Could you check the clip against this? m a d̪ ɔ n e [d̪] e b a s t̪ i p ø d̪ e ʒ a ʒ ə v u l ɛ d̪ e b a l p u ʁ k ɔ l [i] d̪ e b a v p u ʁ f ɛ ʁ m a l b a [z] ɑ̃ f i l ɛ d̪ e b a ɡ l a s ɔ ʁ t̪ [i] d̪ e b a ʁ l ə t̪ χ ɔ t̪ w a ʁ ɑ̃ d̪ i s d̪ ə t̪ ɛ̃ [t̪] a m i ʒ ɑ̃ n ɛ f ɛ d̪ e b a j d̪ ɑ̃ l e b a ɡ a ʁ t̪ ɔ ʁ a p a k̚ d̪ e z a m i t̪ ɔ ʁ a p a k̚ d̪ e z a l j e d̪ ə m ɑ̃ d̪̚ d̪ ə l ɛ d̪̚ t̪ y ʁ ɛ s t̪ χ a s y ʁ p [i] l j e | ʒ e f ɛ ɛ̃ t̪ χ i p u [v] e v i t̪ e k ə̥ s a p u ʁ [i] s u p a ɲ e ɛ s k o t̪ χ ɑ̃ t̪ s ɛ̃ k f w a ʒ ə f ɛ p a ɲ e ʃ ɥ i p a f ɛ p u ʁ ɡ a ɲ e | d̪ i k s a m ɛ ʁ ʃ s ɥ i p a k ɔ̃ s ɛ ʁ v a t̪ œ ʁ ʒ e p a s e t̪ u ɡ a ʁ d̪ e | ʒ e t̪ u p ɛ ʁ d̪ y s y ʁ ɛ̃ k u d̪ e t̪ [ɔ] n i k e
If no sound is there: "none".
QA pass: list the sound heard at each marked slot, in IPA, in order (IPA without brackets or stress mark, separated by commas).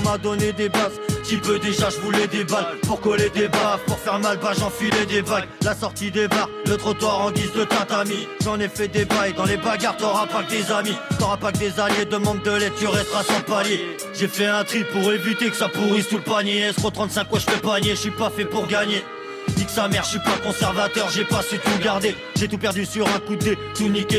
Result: d̪, e, ʒ, i, t̪, a, ʁ, i, u